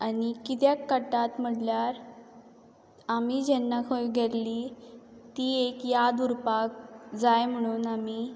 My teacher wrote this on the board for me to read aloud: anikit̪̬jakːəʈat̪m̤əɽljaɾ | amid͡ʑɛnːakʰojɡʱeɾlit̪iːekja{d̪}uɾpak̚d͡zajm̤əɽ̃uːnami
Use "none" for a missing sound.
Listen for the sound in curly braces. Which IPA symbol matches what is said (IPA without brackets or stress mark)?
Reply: d̪